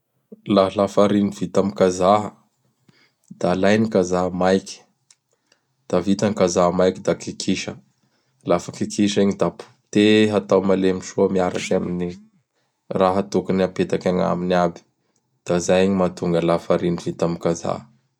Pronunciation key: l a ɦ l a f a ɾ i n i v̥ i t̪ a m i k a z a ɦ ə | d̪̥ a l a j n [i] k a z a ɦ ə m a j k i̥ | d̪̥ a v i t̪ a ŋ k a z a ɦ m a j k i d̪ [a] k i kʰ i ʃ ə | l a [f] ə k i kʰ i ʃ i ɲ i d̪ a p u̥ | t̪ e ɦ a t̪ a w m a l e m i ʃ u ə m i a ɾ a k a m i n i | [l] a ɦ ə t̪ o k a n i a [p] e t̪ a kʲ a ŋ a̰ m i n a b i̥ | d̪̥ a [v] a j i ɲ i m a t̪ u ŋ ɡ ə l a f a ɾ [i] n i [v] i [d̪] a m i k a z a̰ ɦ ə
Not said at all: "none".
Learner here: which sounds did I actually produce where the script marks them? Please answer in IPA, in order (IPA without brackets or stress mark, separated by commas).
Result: i, a, f, r, p, z, i, v, t̪